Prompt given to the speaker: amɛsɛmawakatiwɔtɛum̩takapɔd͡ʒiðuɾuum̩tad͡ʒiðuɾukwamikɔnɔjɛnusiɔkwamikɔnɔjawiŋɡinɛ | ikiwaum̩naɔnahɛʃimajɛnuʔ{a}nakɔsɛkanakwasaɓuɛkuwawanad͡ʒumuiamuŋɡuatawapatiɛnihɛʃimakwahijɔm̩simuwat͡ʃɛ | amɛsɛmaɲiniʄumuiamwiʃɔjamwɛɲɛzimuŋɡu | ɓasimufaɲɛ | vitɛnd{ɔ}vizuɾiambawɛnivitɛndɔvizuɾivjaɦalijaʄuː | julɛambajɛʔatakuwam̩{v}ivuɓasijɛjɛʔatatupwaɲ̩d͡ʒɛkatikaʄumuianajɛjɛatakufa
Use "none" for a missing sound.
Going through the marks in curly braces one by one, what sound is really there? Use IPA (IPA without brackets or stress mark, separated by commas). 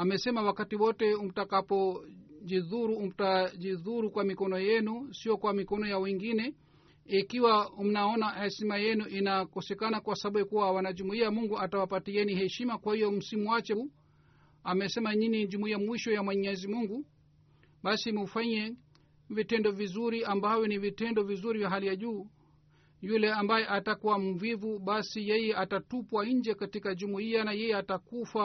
i, ɔ, v